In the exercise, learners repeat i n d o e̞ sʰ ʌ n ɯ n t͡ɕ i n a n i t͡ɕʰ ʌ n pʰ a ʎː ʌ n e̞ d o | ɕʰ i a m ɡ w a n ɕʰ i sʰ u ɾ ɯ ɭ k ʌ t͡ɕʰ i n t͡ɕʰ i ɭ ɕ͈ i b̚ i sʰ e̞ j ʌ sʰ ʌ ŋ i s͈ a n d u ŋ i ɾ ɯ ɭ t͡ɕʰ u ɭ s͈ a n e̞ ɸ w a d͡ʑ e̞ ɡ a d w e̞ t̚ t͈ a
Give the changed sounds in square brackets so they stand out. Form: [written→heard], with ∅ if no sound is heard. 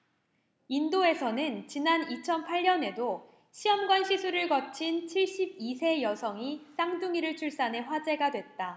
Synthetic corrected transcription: i n d o e̞ sʰ ʌ n ɯ n t͡ɕ i n a n i t͡ɕʰ ʌ n pʰ a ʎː ʌ n e̞ d o | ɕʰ i [a→ʌ] m ɡ w a n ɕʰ i sʰ u ɾ ɯ ɭ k ʌ t͡ɕʰ i n t͡ɕʰ i ɭ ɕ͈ i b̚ i sʰ e̞ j ʌ sʰ ʌ ŋ i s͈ a [n→ŋ] d u ŋ i ɾ ɯ ɭ t͡ɕʰ u ɭ s͈ a n e̞ ɸ w a d͡ʑ e̞ ɡ a d w e̞ t̚ t͈ a